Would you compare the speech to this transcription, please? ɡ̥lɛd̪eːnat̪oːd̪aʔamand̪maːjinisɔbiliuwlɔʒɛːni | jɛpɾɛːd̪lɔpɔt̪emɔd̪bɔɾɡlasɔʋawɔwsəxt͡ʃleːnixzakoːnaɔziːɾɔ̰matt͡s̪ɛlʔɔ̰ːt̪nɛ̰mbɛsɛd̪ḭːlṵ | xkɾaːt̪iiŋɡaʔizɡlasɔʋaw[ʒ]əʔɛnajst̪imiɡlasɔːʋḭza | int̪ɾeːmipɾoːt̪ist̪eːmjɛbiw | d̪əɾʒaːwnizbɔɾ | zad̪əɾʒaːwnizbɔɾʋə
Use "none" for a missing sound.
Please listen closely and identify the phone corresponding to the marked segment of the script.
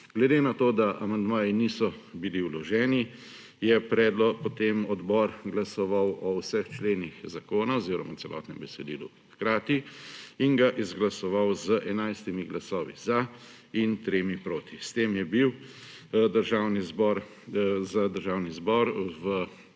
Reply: z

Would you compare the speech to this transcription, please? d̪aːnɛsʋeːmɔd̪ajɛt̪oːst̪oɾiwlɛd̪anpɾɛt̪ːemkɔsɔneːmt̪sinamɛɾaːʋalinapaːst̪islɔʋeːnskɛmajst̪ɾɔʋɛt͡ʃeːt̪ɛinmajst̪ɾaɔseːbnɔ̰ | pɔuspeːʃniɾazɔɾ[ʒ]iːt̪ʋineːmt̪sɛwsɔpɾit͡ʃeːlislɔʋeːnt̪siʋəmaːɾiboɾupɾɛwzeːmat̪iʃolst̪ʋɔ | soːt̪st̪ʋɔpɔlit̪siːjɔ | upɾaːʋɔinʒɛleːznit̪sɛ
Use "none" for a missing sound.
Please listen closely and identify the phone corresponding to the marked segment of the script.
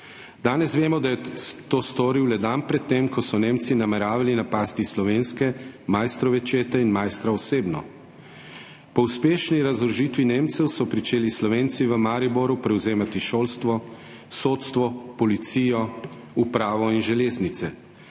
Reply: ʒ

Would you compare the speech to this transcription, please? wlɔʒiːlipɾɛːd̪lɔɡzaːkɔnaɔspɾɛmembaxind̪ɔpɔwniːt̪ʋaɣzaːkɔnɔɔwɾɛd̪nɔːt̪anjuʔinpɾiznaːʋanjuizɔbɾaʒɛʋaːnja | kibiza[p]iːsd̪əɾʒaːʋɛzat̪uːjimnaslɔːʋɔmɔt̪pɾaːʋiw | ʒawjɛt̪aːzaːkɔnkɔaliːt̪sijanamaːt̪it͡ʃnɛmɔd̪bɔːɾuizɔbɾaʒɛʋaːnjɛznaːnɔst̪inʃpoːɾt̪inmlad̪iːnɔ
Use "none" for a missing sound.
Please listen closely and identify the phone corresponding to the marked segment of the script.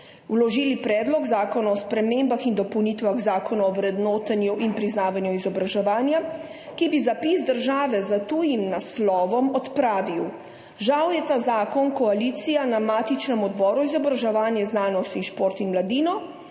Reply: p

